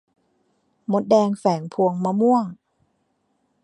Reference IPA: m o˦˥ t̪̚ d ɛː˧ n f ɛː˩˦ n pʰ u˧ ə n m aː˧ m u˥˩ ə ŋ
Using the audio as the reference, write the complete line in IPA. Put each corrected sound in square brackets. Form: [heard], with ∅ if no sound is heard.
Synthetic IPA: m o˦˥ t̪̚ d ɛː˧ [ŋ] f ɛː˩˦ [ŋ] pʰ u˧ ə [ŋ] m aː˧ m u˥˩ ə ŋ